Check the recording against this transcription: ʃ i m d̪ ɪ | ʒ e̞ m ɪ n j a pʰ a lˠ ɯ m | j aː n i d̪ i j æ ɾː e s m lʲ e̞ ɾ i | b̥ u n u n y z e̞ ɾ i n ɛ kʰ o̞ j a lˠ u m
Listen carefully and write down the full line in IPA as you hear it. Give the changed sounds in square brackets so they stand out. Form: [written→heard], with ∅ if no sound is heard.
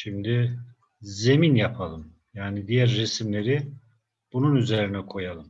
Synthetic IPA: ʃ i m d̪ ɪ | [ʒ→z] e̞ m [ɪ→i] n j a pʰ a lˠ ɯ m | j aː n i d̪ i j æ ɾː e s m lʲ e̞ ɾ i | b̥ u n u n y z e̞ ɾ i n ɛ kʰ o̞ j a lˠ [u→ɯ] m

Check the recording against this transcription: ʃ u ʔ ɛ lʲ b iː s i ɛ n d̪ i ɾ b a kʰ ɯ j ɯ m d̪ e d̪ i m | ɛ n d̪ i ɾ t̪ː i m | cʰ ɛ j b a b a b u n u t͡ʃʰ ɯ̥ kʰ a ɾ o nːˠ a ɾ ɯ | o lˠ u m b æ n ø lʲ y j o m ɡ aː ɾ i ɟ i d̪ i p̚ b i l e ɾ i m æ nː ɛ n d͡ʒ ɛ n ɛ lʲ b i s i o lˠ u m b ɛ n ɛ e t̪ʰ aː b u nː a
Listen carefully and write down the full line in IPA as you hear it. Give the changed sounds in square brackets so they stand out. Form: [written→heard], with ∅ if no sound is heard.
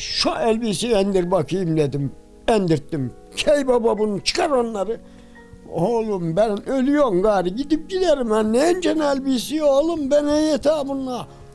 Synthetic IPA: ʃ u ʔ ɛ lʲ b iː s i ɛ n d̪ i ɾ b a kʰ ɯ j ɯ m d̪ e d̪ i m | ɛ n d̪ i ɾ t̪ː i m | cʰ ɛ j b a b a b u n u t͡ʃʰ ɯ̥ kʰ a ɾ o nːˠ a ɾ ɯ | o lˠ u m b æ n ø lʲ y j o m ɡ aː ɾ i ɟ i d̪ i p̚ [b→ɟ] i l e ɾ i m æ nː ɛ n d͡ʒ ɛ n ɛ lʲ b i s i o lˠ u m b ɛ n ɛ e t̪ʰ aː b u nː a

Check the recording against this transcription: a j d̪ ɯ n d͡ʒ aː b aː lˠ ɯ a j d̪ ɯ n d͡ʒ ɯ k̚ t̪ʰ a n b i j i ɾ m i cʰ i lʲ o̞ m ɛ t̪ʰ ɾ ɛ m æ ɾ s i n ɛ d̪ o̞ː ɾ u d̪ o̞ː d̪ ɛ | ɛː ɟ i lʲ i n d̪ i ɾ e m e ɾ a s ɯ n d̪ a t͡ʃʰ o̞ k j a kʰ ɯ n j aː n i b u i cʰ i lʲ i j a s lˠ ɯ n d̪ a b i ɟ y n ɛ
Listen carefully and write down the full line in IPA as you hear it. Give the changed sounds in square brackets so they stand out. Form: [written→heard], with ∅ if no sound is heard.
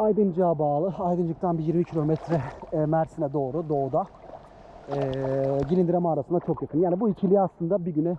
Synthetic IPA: a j d̪ ɯ n d͡ʒ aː b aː lˠ ɯ a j d̪ ɯ n d͡ʒ ɯ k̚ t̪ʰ a n b i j i ɾ m i cʰ i lʲ o̞ m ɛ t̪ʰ ɾ ɛ m æ ɾ s i n ɛ d̪ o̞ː ɾ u d̪ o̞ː d̪ [ɛ→a] | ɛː ɟ i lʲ i n d̪ i ɾ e m [e→a] ɾ a s ɯ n d̪ a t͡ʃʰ o̞ k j a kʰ ɯ n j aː n i b u i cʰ i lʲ i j a s lˠ ɯ n d̪ a b i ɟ y n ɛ

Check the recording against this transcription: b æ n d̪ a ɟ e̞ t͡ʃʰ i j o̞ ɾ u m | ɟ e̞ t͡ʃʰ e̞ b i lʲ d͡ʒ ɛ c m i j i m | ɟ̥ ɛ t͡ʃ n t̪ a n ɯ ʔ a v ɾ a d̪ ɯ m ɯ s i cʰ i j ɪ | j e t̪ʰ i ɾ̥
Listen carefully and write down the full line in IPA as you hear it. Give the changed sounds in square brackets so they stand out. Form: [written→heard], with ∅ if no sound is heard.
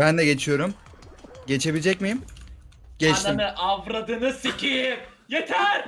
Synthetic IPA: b æ n d̪ [a→ɛ] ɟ e̞ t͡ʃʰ i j o̞ ɾ u m | ɟ e̞ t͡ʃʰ e̞ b i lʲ d͡ʒ ɛ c m i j i m | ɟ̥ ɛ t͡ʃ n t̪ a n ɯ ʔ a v ɾ a d̪ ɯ [m→n] ɯ s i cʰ i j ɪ | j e t̪ʰ [i→æ] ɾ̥

